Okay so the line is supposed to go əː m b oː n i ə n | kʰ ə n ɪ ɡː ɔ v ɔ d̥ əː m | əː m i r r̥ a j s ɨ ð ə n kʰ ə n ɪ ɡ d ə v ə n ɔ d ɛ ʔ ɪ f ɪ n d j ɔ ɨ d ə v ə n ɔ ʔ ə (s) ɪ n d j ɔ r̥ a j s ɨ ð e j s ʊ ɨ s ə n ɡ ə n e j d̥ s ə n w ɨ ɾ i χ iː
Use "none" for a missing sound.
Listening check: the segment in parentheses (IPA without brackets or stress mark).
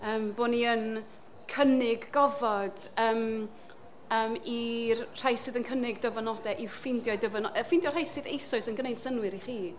f